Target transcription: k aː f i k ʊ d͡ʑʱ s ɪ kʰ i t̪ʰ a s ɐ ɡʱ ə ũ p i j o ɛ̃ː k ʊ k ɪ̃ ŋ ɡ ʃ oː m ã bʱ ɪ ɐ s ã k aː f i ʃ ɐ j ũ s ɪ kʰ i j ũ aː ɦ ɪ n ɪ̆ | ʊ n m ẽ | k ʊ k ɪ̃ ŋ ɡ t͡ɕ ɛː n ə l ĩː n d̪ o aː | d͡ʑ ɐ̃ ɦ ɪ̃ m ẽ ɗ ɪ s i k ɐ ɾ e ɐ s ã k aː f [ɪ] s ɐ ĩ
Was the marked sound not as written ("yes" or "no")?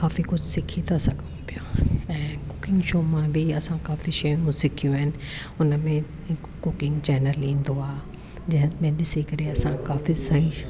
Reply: yes